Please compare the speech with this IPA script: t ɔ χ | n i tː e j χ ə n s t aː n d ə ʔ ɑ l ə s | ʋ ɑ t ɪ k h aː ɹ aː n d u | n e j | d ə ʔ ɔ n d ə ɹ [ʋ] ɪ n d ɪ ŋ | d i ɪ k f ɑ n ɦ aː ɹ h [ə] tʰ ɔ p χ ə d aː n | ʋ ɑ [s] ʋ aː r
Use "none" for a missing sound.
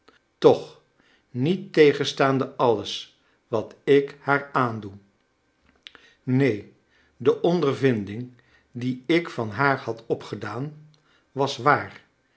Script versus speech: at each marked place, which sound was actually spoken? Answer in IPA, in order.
v, ɑ, s

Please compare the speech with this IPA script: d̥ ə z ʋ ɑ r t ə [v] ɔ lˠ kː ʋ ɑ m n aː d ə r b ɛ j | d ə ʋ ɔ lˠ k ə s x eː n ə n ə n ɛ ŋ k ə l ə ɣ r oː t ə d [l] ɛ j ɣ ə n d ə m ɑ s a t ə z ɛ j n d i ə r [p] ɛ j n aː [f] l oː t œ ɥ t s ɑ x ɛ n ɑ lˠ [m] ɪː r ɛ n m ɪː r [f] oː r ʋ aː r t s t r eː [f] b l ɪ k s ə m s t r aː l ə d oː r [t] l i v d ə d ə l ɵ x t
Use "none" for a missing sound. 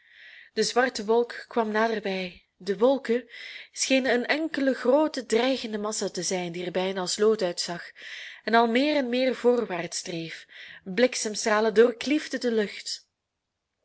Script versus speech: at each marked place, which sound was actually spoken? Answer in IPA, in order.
ʋ, r, b, s, m, v, f, k

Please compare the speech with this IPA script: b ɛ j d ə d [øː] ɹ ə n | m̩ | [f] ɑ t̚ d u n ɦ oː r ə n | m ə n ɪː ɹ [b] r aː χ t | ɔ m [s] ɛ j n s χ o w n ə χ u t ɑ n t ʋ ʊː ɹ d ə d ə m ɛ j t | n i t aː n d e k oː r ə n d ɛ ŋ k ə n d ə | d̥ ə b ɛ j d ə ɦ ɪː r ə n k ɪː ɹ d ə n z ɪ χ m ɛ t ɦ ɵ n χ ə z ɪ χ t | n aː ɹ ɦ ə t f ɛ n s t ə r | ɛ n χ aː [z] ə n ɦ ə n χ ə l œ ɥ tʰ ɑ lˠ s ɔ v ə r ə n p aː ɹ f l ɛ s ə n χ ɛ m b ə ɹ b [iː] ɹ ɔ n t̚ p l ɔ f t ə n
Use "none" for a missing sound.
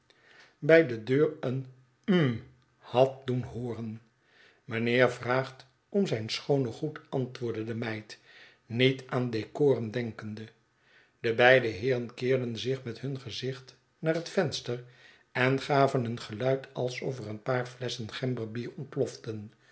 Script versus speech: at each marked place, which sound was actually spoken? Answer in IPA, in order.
øː, h, v, z, v, iː

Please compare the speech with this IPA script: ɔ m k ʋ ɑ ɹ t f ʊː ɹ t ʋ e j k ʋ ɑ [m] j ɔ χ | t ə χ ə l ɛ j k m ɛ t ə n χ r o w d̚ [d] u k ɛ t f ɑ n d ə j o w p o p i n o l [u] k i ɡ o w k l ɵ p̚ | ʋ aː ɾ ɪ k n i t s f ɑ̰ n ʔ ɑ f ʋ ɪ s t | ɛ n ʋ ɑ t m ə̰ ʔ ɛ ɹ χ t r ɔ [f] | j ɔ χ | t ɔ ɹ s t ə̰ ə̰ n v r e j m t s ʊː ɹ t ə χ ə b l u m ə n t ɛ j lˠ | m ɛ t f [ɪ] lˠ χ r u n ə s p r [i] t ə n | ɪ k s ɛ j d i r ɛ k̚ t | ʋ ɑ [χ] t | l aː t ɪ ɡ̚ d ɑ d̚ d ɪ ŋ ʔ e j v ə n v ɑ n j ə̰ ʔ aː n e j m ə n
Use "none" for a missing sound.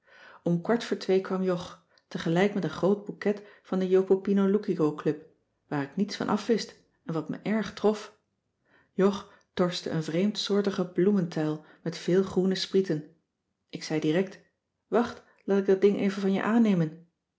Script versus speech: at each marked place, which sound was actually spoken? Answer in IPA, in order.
m, b, u, f, ɪː, i, χ

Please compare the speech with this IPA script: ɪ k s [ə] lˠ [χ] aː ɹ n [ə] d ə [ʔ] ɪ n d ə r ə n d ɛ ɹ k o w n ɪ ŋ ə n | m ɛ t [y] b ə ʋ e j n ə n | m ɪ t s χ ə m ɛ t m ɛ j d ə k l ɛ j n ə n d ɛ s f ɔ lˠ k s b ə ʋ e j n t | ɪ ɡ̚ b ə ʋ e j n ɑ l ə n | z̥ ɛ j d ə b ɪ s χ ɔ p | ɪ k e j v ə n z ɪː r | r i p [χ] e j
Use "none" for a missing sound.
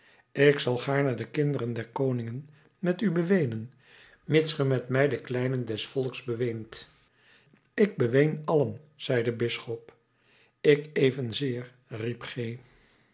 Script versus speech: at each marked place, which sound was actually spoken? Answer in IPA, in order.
ɑ, χ, ə, k, y, χ

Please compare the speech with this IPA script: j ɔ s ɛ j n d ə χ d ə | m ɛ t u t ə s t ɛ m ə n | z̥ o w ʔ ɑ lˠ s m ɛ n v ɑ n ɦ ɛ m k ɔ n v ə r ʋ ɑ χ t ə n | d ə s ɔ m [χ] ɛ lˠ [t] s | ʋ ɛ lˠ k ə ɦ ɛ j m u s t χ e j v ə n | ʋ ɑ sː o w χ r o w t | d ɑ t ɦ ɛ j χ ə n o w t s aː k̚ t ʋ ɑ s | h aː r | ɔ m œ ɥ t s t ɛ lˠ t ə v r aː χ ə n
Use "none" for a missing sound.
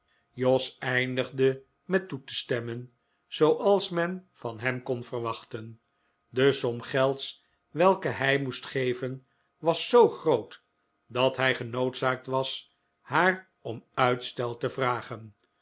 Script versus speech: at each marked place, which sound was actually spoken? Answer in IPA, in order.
χ, t

